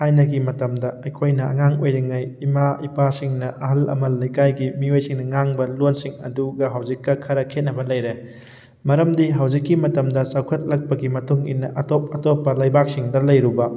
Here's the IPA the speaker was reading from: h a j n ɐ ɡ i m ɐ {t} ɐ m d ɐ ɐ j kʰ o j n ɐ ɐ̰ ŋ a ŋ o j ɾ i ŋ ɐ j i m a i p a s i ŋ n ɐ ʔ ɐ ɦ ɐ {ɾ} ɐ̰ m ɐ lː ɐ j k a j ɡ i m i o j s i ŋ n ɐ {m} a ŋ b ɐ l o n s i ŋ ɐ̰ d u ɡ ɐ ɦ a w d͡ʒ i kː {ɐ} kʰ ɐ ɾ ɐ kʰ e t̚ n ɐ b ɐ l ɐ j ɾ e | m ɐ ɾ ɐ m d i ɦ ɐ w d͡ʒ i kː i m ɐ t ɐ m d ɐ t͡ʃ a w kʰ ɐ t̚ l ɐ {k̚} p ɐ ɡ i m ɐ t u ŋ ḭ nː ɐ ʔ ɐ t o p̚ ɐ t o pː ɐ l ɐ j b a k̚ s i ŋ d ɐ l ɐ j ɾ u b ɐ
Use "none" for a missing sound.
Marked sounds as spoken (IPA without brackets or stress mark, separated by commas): t, l, ŋ, ɐ, k̚